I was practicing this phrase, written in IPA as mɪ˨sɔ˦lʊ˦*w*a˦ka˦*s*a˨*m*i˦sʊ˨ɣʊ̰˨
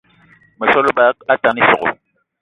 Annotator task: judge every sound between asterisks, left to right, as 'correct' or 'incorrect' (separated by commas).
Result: incorrect, incorrect, incorrect